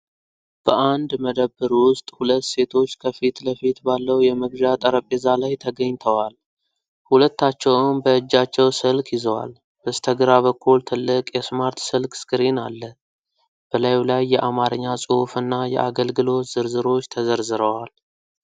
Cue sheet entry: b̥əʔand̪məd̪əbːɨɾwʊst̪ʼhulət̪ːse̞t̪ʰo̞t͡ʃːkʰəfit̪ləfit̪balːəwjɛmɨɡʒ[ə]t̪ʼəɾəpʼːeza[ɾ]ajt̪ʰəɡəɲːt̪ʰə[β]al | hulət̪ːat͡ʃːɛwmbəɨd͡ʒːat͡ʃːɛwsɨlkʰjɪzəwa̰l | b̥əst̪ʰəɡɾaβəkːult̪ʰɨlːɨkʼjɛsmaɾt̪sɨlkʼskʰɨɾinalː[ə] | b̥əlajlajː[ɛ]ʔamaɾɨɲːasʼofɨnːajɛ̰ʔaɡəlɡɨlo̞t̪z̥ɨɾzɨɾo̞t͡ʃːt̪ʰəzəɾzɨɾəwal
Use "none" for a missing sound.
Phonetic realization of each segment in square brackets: a, l, w, ə, ɛ

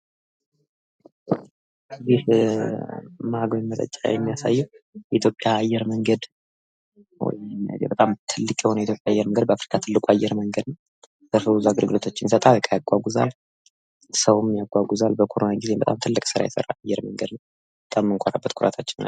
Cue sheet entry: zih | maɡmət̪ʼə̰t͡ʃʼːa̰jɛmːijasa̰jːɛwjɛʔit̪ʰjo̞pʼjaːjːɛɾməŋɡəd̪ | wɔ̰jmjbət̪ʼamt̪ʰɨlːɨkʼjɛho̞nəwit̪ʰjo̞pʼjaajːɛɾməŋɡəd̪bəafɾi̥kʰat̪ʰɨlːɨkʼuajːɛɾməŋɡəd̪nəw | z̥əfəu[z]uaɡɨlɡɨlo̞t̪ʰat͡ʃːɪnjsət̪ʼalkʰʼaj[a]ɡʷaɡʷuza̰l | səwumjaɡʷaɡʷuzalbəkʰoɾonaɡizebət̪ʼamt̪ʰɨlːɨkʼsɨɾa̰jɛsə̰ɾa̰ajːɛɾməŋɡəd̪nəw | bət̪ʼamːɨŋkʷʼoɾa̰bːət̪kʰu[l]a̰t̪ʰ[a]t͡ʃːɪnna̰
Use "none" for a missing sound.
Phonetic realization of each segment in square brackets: z, a, ɾ, a

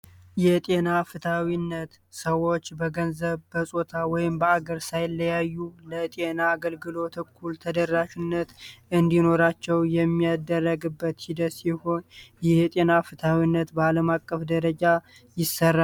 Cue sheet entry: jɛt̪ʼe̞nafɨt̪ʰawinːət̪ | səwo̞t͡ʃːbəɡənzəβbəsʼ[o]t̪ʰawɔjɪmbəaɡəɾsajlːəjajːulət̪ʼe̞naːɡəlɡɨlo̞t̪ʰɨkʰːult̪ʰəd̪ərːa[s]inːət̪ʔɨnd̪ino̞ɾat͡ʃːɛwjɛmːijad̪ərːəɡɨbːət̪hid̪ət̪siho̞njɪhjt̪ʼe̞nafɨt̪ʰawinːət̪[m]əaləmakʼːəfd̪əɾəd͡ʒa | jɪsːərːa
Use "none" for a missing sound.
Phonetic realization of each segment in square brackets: o, ʃ, b

